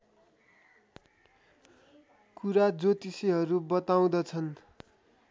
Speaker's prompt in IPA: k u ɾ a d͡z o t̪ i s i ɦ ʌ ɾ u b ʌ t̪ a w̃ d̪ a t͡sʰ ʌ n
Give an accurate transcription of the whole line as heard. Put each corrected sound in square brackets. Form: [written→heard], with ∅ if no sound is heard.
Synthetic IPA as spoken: k u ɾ a d͡z o t̪ i s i ɦ ʌ ɾ u b ʌ t̪ a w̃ d̪ [a→ʌ] t͡sʰ ʌ n